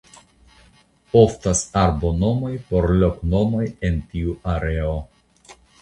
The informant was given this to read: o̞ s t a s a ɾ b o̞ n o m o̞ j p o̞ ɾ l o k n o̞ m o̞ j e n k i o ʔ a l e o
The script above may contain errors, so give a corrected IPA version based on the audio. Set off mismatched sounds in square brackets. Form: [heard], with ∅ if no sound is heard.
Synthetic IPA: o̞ [f] t a s a ɾ b o̞ n o m o̞ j p o̞ ɾ l o k n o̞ m o̞ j e n [t] i [u] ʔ a [ɾ] e o